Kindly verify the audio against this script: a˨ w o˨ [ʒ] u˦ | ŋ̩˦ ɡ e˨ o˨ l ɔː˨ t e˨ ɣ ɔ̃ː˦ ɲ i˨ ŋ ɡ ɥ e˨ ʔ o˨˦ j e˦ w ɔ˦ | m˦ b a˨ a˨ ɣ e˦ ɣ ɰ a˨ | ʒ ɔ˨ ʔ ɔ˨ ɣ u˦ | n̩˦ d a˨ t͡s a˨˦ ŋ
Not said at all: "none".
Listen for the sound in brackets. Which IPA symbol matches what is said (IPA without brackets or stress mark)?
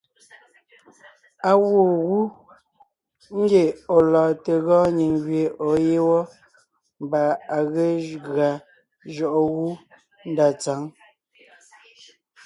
ɣ